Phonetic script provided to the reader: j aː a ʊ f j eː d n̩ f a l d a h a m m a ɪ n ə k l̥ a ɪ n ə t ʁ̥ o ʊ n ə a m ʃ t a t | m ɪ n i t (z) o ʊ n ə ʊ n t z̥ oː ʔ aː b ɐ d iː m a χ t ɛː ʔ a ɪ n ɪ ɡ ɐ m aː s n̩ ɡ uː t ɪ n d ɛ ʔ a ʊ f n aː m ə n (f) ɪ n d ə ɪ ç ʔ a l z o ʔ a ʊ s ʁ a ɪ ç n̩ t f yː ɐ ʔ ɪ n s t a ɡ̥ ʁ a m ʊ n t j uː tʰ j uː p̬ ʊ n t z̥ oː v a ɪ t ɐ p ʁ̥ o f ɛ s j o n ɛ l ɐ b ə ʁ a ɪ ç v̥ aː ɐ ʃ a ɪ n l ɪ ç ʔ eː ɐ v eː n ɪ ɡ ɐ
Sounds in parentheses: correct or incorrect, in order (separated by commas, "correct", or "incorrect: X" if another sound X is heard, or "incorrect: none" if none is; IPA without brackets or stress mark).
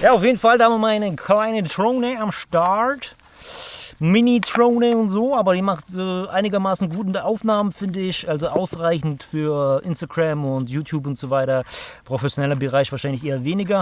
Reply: incorrect: ʁ, correct